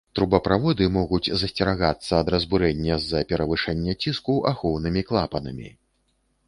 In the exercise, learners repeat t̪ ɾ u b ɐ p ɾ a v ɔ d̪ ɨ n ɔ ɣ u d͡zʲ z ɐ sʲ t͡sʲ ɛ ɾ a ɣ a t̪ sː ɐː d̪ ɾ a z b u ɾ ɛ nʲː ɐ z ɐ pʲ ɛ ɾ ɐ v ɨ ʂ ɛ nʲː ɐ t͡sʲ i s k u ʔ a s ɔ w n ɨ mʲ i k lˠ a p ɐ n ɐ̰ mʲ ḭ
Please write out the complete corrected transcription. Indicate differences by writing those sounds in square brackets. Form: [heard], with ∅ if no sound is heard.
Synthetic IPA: t̪ ɾ u b ɐ p ɾ a v ɔ d̪ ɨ [m] ɔ ɣ u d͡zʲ z ɐ sʲ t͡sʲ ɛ ɾ a ɣ a t̪ sː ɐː d̪ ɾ [ɐ] z b u ɾ ɛ nʲː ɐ z ɐ pʲ ɛ ɾ ɐ v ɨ ʂ ɛ nʲː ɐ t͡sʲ i s k u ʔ a [x] ɔ w n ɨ mʲ i k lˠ a p ɐ n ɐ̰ mʲ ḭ